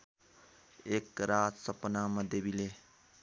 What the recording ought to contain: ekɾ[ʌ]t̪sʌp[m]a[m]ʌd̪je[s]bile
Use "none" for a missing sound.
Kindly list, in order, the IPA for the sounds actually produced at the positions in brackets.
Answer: a, n, m, none

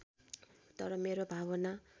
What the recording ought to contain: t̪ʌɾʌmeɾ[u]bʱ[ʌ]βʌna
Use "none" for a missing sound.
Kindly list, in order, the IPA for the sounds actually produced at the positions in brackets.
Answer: o, a

